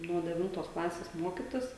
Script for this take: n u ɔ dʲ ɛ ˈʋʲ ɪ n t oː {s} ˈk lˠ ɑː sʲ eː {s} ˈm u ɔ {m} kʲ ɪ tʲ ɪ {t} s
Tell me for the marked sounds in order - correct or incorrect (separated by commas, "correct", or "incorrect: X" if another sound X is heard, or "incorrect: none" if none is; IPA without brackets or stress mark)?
correct, correct, incorrect: none, incorrect: none